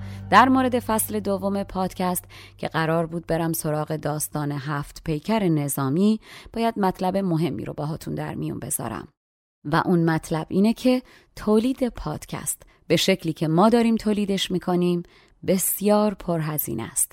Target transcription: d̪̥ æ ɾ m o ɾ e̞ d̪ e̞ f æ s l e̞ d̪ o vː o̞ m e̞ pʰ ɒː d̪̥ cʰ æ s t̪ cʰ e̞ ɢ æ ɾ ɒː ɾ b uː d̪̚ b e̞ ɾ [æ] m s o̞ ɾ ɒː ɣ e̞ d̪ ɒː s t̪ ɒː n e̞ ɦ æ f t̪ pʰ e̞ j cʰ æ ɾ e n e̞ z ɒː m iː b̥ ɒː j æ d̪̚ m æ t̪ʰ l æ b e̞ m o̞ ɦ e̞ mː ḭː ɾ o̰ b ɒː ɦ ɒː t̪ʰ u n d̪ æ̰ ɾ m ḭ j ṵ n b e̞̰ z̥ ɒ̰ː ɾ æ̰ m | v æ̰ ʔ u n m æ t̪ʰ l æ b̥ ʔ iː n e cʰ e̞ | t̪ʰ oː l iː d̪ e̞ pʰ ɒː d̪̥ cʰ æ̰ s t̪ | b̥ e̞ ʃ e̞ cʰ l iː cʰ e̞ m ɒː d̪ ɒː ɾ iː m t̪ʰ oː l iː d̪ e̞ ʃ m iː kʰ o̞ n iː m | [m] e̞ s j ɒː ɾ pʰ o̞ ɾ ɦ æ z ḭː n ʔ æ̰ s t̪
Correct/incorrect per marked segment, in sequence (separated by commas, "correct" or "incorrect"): correct, incorrect